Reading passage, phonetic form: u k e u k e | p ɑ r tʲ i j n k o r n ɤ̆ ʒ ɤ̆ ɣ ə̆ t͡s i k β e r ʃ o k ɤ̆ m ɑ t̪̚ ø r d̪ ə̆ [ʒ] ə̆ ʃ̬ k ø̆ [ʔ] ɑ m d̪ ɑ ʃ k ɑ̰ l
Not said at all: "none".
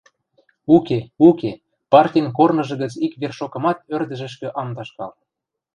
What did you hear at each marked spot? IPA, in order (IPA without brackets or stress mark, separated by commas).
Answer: ʒ, ʔ